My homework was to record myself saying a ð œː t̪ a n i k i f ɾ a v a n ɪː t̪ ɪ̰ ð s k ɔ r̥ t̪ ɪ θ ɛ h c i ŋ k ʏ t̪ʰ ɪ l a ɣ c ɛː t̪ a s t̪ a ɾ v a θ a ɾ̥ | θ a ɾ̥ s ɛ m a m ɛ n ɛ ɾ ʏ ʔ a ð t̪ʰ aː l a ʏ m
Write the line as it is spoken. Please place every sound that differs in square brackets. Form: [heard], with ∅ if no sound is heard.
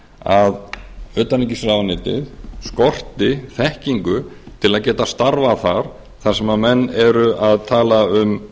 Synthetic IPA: a ð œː t̪ a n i [c] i [s] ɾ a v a n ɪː t̪ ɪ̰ ð s k ɔ r̥ t̪ ɪ θ ɛ h c i ŋ k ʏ t̪ʰ ɪ l a [ð] c ɛː t̪ a s t̪ a ɾ v a θ a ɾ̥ | θ a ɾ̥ s ɛ m a m ɛ [nː] ɛ ɾ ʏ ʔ a ð t̪ʰ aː l a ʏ m